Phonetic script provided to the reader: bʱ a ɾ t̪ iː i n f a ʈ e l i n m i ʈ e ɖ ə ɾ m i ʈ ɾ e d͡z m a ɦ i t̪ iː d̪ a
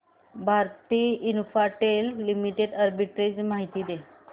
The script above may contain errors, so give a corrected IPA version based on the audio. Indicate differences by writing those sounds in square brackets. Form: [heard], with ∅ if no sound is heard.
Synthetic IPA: bʱ a ɾ t̪ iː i n f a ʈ e [lː] i [∅] m i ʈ e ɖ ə ɾ [b] i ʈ ɾ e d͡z m a ɦ i t̪ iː d̪ [e]